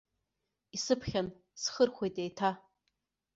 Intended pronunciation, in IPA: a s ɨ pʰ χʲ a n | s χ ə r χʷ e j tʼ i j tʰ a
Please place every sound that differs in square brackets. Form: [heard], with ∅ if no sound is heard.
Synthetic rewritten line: [i] s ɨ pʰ χʲ a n | s χ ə r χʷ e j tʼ [e] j tʰ a

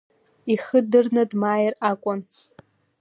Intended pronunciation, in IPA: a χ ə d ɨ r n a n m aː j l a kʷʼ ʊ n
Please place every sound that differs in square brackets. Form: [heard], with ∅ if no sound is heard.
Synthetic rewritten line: [i] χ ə d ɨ r n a [d] m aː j [r] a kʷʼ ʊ n

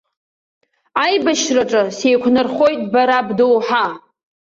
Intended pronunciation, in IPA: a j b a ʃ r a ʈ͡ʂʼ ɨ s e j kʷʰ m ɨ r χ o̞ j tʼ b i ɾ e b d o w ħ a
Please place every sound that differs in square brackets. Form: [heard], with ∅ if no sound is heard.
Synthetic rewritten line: a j b a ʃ r a ʈ͡ʂʼ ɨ s e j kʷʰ [n] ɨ r χ o̞ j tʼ b [a] ɾ [a] b d o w ħ a

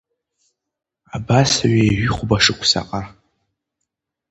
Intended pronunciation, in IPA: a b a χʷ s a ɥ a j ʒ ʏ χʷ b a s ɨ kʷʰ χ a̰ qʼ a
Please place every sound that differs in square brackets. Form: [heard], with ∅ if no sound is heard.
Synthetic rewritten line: a b a [∅] s a ɥ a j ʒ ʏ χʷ b a [ʂ] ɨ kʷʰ [s] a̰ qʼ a

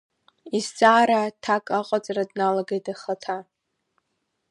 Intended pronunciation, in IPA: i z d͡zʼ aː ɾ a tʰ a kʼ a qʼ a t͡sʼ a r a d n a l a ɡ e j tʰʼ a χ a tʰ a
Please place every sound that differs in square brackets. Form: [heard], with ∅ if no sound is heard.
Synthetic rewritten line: i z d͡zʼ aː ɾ a tʰ a kʼ a qʼ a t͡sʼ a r a d n a l a ɡ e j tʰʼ a χ a tʰ a

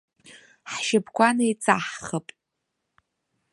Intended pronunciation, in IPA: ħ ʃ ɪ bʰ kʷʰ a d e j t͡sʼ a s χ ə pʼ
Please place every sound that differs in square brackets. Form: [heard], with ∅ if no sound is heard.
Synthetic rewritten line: ħ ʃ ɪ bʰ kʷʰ a [n] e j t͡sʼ a [ħ] χ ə pʼ

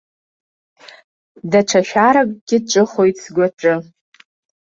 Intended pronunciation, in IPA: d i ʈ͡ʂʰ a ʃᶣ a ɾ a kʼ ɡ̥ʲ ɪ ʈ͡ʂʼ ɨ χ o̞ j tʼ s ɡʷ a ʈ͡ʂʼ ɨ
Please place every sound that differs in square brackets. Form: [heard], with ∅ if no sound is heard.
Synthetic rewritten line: d [a] ʈ͡ʂʰ a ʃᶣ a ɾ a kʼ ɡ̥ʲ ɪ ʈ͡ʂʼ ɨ χ o̞ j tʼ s ɡʷ a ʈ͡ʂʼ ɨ

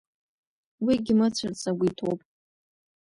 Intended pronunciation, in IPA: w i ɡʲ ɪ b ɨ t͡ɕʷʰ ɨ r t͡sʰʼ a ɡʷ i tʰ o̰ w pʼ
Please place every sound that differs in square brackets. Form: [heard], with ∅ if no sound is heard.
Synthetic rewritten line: w i ɡʲ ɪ [m] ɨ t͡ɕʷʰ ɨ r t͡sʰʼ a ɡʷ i tʰ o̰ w pʼ

